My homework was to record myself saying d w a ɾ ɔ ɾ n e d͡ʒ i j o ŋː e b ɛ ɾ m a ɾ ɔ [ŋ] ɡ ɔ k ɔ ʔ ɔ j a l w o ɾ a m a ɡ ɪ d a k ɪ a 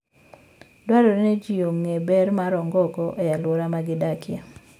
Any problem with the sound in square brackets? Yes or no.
no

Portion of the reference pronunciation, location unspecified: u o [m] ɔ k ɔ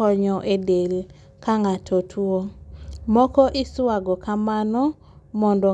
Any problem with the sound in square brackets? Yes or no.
no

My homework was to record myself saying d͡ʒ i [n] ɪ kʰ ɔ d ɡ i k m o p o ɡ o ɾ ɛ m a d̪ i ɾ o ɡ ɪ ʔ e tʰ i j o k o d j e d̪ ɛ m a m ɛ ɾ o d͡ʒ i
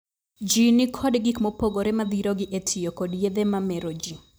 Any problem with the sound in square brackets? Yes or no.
no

